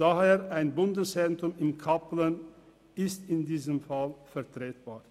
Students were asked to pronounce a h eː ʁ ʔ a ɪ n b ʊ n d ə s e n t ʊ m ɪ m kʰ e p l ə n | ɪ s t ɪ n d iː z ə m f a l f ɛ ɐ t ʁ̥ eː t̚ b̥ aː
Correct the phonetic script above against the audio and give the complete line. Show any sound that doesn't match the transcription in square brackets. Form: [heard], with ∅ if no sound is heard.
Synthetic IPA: a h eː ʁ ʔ a ɪ n b ʊ n d ə s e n t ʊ m ɪ m kʰ [a] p l ə n | ɪ s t ɪ n d iː z ə m f a l f ɛ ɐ t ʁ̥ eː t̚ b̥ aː